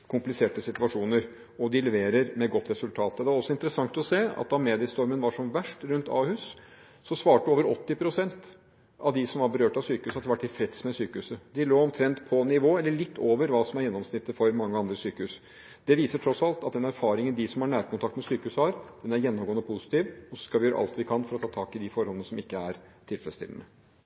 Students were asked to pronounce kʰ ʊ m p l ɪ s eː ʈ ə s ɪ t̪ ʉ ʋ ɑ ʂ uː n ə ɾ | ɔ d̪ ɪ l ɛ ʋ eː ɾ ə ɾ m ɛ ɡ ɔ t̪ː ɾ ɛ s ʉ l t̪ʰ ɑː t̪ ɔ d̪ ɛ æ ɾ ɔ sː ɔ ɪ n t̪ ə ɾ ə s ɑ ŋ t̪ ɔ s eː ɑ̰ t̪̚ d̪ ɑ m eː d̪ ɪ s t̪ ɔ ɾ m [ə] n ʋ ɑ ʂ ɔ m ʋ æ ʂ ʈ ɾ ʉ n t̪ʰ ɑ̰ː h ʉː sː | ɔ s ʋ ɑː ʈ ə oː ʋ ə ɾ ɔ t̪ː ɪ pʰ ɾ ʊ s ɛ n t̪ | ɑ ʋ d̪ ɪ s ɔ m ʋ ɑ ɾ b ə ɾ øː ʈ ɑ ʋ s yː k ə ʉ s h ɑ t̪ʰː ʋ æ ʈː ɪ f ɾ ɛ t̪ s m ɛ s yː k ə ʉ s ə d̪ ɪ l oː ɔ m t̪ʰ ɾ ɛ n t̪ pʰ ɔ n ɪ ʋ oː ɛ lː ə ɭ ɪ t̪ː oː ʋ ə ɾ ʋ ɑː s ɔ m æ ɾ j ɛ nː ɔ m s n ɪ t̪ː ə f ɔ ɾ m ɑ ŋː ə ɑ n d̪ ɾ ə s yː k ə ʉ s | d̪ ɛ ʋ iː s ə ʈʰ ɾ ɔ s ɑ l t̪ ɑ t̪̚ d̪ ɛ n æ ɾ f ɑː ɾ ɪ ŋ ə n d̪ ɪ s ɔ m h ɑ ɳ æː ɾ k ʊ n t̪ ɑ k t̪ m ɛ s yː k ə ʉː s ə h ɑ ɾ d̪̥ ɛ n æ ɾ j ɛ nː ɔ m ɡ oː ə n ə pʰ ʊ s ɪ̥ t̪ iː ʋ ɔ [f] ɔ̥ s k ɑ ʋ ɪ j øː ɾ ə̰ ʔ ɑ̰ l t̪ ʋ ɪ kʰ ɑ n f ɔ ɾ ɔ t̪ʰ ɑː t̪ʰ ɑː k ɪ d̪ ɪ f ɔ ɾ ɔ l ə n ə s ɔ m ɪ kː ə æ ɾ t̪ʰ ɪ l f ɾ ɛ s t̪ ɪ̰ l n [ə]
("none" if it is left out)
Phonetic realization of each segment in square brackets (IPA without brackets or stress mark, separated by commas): ə, s, ə